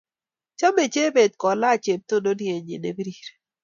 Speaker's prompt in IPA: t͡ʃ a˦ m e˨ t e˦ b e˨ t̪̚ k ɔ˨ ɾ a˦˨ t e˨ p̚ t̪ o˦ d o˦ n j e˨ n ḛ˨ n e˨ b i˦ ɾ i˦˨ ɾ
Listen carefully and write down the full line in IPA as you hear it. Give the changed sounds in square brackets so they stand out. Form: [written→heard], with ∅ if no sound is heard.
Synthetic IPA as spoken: t͡ʃ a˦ m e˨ [t→t͡ʃ] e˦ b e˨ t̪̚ k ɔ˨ [ɾ→l] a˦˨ [t→t͡ʃ] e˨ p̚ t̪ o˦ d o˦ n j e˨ [n→ɲ] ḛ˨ n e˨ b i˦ ɾ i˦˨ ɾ